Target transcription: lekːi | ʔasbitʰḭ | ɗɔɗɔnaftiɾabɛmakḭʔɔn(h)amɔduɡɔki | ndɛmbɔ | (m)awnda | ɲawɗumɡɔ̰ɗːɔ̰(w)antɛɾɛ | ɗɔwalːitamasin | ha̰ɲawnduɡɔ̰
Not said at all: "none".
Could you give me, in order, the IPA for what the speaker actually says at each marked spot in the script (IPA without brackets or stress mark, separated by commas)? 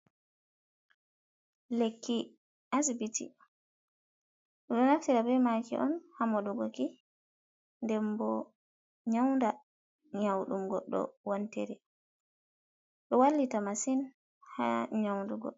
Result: h, ɲ, w